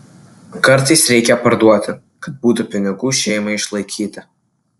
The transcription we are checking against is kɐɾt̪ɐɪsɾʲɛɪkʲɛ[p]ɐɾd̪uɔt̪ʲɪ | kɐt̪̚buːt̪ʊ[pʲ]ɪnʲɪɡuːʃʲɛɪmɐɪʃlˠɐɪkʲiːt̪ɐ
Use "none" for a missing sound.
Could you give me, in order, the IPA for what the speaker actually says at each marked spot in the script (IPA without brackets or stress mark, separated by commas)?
p, pʲ